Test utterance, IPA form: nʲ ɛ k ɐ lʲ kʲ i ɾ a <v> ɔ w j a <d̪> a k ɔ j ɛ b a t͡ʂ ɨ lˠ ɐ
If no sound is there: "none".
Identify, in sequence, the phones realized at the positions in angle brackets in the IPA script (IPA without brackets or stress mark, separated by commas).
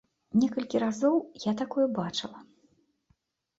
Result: z, t̪